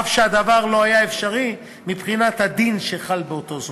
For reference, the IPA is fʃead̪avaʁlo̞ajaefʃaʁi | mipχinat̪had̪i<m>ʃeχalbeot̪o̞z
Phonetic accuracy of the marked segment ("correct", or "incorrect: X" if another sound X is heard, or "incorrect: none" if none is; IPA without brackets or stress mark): incorrect: n